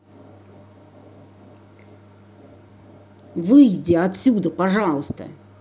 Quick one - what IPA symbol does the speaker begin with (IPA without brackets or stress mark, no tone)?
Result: v